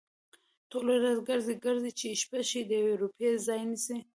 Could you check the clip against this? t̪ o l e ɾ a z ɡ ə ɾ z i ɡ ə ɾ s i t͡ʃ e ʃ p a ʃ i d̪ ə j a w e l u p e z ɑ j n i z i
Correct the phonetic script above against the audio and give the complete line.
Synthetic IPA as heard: t̪ o l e ɾ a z ɡ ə ɾ z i ɡ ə ɾ z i t͡ʃ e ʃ p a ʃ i d̪ ə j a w e ɾ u p e z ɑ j n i s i

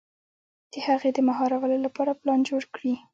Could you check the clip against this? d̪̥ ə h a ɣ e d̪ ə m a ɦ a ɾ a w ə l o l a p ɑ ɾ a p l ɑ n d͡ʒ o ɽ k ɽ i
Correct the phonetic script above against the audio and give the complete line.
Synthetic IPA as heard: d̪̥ ə h a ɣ e d̪ ə m a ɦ ɑ ɾ a w ə l o l a p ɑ ɾ a p l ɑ n d͡ʒ o ɽ k ɽ i

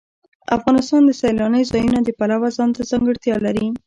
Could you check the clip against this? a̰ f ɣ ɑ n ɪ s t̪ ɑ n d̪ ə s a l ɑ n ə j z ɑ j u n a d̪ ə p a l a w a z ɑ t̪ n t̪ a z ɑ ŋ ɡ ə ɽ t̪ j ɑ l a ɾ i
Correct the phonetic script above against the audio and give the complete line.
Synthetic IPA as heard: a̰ f ɣ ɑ n ɪ s t̪ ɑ n d̪ ə s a l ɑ n ə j z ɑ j u n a d̪ ə p a l a w a z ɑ n t̪ a z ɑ ŋ ɡ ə ɽ t̪ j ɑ l a ɾ i

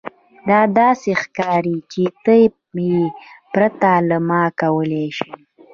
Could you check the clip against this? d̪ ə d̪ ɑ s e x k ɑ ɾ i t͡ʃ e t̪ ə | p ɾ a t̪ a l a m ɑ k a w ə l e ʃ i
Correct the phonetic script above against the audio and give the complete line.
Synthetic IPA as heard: d̪ ɑ d̪ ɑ s e x k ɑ ɾ i t͡ʃ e t̪ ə | p ɾ a t̪ a l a m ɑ k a w ə l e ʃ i

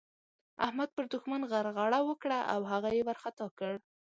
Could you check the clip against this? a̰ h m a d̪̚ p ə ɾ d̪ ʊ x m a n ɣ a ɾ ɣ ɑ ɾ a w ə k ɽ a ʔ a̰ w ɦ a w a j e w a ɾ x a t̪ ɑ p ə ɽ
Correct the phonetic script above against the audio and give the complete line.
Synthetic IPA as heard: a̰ h m a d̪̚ p ə ɾ d̪ ʊ x m a n ɣ a ɾ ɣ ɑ ɽ a w ə k ɽ a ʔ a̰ w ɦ a ɣ a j e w a ɾ x a t̪ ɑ k ə ɽ

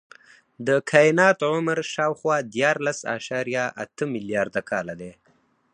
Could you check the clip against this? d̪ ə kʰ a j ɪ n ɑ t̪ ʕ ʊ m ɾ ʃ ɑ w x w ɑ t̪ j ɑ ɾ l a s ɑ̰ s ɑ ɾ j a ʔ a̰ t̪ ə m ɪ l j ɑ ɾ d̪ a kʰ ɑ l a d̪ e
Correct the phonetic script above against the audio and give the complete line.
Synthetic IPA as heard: d̪ ə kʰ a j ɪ n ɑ t̪ ʕ ʊ m ɾ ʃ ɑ w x w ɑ d̪ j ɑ ɾ l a s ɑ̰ ʃ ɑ ɾ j a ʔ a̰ t̪ ə m ɪ l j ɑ ɾ d̪ a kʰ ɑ l a d̪ e

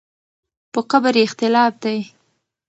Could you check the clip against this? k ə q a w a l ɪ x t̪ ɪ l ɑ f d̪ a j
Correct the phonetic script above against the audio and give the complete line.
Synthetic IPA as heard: p ə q a b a ɾ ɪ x t̪ ɪ l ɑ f d̪ a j

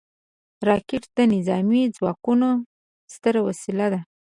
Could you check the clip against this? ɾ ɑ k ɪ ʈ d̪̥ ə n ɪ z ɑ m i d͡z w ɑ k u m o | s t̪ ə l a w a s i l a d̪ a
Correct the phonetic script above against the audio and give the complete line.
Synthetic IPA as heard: ɾ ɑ k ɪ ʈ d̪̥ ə n ɪ z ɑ m i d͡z w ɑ k u n o | s t̪ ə ɾ a w a s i l a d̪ a

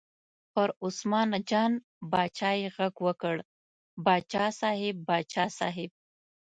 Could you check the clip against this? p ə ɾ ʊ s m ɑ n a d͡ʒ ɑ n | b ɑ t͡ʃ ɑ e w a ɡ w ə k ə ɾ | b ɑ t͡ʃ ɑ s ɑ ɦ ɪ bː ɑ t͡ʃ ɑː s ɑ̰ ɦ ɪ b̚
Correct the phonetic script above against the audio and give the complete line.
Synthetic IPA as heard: p ə ɾ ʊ s m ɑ n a d͡ʒ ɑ n | b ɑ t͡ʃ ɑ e ɣ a ɡ w ə k ə ɽ | b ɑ t͡ʃ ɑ s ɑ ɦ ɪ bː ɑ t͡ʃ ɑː s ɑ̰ ɦ ɪ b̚

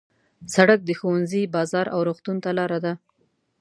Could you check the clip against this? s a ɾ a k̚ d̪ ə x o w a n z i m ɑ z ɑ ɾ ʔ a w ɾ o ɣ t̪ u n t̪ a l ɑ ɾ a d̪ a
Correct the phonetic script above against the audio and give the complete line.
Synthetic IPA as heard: s a ɽ a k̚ d̪ ə x o w a n z i b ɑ z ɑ ɾ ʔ a w ɾ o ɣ t̪ u n t̪ a l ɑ ɾ a d̪ a

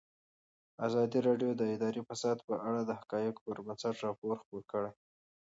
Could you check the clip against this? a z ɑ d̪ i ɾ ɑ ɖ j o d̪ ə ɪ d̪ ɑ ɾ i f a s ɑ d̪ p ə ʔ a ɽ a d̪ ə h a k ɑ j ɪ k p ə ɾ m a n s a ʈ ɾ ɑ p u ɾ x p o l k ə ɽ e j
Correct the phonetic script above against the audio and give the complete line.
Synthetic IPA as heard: a z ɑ d̪ i ɾ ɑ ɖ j o d̪ ə ɪ d̪ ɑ ɾ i f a s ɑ d̪ p ə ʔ a ɽ a d̪ ə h a k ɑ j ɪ k p ə ɾ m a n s a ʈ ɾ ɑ p o ɾ x p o ɾ k ə ɽ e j

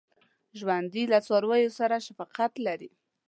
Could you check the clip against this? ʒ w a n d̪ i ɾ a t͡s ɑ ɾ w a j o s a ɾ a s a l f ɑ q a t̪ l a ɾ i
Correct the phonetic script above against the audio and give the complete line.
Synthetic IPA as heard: ʒ w a n d̪ i l a t͡s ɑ ɾ w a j o s a ɾ a ʃ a f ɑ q a t̪ l a ɾ i

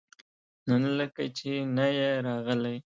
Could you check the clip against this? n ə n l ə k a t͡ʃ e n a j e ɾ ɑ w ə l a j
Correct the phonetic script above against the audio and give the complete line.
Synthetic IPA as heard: n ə n l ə k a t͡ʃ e n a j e ɾ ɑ ɣ ə l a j

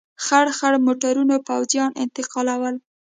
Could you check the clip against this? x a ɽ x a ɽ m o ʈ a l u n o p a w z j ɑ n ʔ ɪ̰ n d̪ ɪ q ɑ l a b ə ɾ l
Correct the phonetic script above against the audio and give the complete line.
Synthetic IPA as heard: x a ɽ x a ɽ m o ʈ a ɾ u n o p a w z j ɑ n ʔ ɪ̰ n t̪ ɪ q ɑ l a w ə l

